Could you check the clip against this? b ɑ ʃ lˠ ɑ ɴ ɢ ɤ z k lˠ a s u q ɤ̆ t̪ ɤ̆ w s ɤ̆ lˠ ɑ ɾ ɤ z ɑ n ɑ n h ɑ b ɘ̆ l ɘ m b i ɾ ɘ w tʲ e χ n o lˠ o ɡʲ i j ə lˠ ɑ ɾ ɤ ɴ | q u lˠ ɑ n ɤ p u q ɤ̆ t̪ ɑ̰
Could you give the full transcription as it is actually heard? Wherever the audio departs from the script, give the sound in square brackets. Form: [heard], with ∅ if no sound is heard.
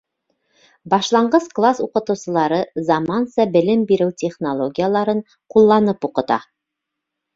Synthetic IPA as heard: b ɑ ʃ lˠ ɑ ɴ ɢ ɤ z k lˠ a s u q ɤ̆ t̪ ɤ̆ w s ɤ̆ lˠ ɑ ɾ ɤ z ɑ [m] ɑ n [s] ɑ b ɘ̆ l ɘ m b i ɾ ɘ w tʲ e χ n o lˠ o ɡʲ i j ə lˠ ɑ ɾ ɤ ɴ | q u [lˠː] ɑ n ɤ p u q ɤ̆ t̪ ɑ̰